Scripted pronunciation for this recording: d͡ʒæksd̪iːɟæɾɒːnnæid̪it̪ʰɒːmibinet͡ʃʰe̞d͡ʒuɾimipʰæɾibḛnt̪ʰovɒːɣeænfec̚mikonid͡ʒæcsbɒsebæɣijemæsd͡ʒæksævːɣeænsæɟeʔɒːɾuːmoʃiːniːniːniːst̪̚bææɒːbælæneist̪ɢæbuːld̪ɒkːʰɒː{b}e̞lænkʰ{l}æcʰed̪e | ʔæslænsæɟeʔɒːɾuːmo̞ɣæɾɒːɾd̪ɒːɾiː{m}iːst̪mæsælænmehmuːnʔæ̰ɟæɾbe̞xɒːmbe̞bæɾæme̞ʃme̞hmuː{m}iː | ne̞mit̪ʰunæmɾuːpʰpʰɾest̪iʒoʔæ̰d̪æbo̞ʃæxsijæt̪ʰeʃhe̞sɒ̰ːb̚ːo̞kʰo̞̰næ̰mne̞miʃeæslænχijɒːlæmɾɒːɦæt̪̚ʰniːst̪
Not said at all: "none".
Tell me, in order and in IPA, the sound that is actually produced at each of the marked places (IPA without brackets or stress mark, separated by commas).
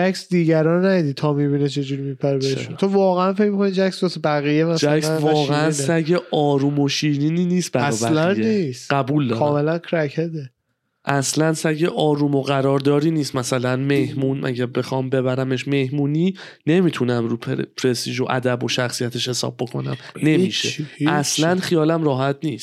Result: m, ɾ, n, n